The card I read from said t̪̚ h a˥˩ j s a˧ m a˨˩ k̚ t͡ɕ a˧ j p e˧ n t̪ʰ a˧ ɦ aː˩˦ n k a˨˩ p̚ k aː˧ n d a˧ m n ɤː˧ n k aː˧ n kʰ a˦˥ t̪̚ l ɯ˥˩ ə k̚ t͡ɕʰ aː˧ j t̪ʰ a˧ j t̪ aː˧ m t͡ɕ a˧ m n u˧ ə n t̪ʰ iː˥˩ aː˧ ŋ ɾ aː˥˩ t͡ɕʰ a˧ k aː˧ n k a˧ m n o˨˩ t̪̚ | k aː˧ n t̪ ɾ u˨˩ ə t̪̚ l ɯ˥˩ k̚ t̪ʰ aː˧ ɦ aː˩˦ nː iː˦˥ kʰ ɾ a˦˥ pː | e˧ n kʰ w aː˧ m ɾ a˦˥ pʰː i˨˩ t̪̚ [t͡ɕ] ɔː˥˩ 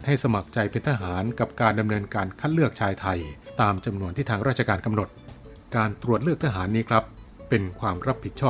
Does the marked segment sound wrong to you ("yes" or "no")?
yes